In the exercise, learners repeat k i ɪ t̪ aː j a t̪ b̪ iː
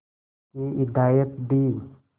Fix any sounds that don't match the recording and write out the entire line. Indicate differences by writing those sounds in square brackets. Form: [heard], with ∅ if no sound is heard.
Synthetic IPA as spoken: k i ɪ [d̪] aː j [ə] t̪ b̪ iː